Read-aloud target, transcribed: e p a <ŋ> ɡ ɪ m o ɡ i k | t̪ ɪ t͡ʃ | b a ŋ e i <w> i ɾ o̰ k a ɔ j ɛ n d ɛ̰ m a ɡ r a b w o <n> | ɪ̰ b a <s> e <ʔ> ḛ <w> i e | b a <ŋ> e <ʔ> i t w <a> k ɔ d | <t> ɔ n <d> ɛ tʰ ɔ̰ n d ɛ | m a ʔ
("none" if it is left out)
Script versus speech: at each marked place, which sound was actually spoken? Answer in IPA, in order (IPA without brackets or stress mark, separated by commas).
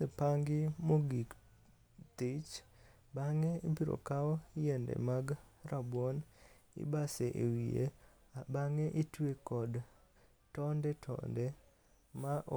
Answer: ŋ, b, n, s, ʔ, w, ŋ, ʔ, e, t, d